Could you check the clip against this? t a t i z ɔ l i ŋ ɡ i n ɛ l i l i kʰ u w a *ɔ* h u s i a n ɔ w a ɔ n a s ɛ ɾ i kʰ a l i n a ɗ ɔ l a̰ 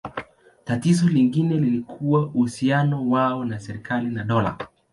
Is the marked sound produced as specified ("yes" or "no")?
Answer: no